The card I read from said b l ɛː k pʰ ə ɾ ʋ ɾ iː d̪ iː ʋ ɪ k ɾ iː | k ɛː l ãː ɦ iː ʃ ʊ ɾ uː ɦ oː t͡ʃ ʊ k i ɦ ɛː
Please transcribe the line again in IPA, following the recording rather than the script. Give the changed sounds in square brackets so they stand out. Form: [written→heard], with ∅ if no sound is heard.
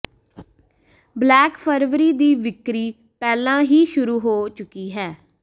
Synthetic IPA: b l ɛː k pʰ ə ɾ ʋ ɾ iː d̪ iː ʋ ɪ k ɾ iː | [k→p] ɛː l ãː ɦ iː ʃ ʊ ɾ uː ɦ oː t͡ʃ ʊ k [i→iː] ɦ ɛː